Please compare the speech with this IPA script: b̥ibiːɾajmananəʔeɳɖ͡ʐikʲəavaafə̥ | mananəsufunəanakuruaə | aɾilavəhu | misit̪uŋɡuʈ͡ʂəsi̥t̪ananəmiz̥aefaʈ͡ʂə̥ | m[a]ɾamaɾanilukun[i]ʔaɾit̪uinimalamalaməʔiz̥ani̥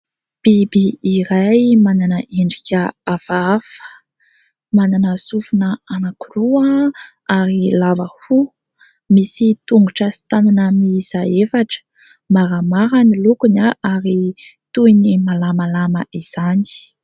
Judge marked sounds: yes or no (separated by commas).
yes, no